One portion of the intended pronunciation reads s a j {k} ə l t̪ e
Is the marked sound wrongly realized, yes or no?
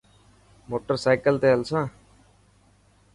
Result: no